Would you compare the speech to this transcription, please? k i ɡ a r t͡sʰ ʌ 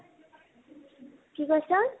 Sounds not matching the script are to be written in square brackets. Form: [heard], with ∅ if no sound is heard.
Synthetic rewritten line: k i ɡ [ʌ] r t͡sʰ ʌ

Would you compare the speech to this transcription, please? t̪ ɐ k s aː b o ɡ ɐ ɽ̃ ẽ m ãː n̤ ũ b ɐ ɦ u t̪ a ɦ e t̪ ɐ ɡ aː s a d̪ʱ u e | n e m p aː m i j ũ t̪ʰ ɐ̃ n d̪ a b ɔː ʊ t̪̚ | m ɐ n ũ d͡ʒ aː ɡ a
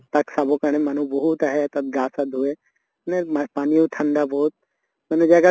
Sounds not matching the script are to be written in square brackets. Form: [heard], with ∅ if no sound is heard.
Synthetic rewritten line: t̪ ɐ k s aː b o [k] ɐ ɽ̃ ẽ m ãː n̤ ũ b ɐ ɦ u t̪ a ɦ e t̪ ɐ ɡ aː s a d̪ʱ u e | n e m p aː [n] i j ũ t̪ʰ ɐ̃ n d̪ a b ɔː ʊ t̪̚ | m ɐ n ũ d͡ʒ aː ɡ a

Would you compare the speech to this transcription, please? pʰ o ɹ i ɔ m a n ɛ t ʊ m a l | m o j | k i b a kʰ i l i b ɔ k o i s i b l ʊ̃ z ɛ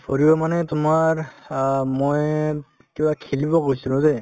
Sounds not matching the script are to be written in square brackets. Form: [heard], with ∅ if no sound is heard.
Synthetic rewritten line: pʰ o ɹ i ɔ m a n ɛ t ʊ m a [ɹ] | m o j | k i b a kʰ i l i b ɔ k o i s i [∅] l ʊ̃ z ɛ

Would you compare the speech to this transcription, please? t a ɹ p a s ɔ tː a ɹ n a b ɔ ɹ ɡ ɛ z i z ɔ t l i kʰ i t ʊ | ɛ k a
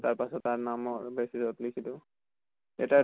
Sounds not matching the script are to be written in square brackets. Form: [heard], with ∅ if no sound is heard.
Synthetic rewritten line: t a ɹ p a s ɔ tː a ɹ n a [m] ɔ ɹ [b] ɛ [s] i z ɔ t l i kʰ i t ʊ | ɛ [t] a

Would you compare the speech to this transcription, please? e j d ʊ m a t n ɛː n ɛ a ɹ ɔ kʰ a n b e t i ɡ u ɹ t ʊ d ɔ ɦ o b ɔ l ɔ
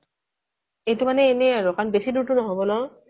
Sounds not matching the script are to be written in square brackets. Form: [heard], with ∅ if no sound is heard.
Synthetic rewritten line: e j [t] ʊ m a [∅] n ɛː n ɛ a ɹ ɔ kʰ a n b e [s] i [d] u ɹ t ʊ [n] ɔ ɦ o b ɔ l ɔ

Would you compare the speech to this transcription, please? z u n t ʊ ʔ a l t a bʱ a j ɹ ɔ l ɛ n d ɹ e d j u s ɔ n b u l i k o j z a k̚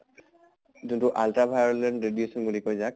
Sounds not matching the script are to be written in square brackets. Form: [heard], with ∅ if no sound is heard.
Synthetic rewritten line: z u n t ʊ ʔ a l t a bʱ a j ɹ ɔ l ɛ n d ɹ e d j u s ɔ n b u l i k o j z a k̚

